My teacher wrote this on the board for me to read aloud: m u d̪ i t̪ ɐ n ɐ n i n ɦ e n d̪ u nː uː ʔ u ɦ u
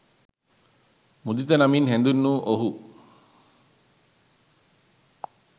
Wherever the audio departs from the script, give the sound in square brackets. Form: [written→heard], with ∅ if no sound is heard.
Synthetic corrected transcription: m u d̪ i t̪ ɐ n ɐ [n→m] i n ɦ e n d̪ u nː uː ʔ [u→o] ɦ u

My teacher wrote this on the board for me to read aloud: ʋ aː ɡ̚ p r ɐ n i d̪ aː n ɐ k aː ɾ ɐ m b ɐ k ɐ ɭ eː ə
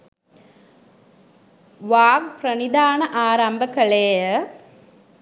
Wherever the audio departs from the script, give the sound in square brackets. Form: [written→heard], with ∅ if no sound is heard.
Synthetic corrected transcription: ʋ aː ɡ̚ p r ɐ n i d̪ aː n ɐ [k→ʔ] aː ɾ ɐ m b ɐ k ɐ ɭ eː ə

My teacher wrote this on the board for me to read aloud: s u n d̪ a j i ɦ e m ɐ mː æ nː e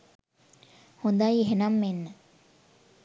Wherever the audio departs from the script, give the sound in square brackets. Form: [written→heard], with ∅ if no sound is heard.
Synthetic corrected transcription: [s→h] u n d̪ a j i ɦ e [m→n] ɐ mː [æ→e] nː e

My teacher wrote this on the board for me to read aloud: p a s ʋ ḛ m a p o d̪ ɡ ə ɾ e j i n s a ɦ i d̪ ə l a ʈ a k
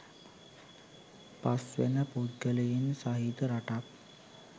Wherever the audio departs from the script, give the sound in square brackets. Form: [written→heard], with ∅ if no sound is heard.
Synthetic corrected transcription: p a s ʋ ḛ [m→n] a p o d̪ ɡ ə [ɾ→l] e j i n s a ɦ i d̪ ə [l→ɾ] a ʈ a k

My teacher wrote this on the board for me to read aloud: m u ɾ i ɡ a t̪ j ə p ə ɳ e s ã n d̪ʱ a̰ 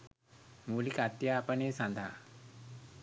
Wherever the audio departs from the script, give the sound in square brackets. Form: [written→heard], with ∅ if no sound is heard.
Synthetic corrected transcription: m u [ɾ→l] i [ɡ→k] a t̪ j [ə→a] p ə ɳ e s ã n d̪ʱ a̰

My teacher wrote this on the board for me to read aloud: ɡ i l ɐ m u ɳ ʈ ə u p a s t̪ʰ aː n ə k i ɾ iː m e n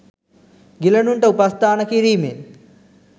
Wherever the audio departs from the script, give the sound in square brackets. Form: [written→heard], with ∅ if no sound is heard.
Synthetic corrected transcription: ɡ i l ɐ [m→n] u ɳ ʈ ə u p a s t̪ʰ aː n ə k i ɾ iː m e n

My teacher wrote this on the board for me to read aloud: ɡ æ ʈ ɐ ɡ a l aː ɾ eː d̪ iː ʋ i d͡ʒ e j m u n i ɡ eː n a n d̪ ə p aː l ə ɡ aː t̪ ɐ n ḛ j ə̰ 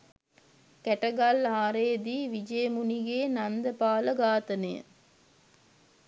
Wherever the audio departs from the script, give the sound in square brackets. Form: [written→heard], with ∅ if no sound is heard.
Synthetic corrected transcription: [ɡ→k] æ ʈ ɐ ɡ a l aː ɾ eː d̪ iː ʋ i d͡ʒ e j m u n i ɡ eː n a n d̪ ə p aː l ə ɡ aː t̪ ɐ n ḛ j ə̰

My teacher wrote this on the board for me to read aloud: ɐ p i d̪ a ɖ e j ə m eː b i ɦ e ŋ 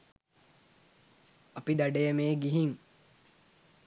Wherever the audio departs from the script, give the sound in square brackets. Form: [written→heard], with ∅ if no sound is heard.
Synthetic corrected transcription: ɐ p i d̪ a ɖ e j ə m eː [b→ɡ] i ɦ [e→i] ŋ

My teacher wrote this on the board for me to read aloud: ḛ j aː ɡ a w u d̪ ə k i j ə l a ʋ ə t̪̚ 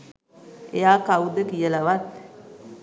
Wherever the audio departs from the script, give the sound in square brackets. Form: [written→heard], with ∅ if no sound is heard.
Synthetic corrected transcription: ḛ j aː [ɡ→k] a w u d̪ ə k i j ə l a ʋ [ə→a] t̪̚

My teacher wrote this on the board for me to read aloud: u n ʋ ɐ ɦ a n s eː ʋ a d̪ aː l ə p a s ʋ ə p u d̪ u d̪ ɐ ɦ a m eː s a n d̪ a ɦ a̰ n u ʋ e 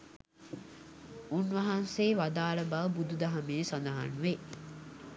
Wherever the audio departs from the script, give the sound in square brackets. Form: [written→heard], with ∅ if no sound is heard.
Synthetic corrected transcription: u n ʋ ɐ ɦ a n s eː ʋ a d̪ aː l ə [p→b] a [s→∅] ʋ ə [p→b] u d̪ u d̪ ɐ ɦ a m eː s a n d̪ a ɦ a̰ n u ʋ e

